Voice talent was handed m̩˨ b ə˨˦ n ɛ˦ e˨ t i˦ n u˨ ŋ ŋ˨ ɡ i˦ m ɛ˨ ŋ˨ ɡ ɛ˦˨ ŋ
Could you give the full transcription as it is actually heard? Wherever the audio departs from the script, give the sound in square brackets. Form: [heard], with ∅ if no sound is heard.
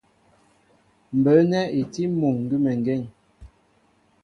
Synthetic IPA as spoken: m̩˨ b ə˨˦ n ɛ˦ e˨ t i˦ [m] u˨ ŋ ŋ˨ ɡ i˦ m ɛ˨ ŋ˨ ɡ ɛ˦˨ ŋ